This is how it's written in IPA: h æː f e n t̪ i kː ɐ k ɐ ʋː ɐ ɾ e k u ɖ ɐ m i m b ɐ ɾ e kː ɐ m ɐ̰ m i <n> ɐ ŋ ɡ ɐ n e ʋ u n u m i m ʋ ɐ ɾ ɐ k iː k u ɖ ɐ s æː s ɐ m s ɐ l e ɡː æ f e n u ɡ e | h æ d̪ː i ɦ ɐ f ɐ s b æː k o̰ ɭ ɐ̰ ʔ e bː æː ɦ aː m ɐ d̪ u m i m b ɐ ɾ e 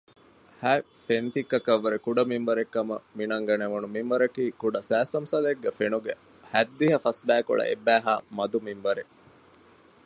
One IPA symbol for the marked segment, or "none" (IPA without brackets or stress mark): n